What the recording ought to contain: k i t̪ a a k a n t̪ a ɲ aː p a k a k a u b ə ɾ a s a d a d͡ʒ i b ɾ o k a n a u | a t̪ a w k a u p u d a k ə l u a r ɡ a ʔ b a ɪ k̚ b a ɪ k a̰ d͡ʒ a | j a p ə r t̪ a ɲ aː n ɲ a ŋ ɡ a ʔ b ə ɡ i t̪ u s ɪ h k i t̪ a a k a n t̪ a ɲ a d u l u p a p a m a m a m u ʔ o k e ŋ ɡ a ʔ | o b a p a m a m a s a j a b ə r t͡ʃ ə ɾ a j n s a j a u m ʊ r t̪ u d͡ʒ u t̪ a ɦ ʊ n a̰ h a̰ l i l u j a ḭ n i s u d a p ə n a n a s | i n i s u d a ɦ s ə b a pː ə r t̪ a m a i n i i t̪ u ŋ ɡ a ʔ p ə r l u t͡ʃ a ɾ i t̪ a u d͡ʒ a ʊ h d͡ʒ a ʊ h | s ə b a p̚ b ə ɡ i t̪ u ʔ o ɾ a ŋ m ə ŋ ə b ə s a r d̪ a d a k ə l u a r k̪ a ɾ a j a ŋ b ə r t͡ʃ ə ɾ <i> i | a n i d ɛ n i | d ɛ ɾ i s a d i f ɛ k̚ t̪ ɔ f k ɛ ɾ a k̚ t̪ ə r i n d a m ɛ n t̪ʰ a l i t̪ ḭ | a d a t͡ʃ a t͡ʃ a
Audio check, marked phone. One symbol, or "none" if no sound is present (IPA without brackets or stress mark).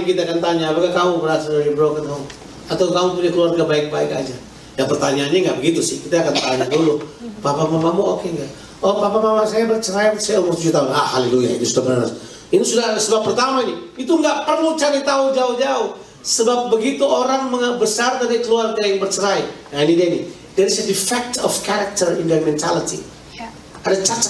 a